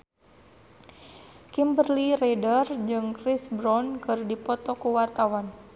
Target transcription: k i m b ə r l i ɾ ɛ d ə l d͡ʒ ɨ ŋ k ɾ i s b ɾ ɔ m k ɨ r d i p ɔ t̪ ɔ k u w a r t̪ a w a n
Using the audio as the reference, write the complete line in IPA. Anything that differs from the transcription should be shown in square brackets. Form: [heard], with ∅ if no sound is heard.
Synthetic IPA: k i m b ə r l i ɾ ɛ d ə [r] d͡ʒ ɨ ŋ k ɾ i s b ɾ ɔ [n] k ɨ r d i p ɔ t̪ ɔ k u w a r t̪ a w a n